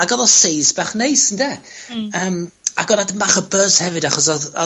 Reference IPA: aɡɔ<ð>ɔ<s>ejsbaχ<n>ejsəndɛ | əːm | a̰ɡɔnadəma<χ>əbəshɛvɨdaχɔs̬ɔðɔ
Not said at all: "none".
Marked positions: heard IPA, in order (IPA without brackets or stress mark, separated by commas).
ð, s, n, χ